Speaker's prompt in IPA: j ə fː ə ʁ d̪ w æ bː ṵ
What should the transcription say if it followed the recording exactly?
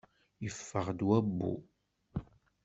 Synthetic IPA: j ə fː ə ʁ d̪ w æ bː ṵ